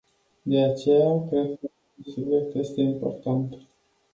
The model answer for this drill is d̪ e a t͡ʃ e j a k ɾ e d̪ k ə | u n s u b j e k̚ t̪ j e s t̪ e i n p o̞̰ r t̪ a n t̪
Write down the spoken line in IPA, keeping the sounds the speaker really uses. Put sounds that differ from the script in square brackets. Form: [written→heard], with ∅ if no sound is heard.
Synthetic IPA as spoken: d̪ e a t͡ʃ e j a k ɾ e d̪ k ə | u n s u b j e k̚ t̪ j e s t̪ e i [n→m] p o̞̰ r t̪ a n t̪